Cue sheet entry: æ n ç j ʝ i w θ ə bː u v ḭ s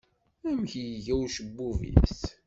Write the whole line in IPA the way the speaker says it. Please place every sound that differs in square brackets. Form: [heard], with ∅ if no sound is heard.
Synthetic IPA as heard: æ [m] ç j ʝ [æ] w [ʃ] ə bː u v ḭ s